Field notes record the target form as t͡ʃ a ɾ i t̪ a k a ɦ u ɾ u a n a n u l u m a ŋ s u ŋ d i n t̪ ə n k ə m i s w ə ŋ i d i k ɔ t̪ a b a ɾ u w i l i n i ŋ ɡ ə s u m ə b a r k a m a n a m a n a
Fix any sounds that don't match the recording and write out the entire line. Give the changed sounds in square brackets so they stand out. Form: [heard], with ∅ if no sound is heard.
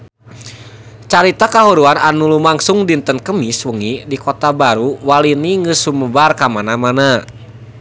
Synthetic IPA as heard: t͡ʃ a ɾ i t̪ a k a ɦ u ɾ u a n a n u l u m a ŋ s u ŋ d i n t̪ ə n k ə m i s w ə ŋ i d i k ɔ t̪ a b a ɾ u w [a] l i n i ŋ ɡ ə s u m ə b a r k a m a n a m a n a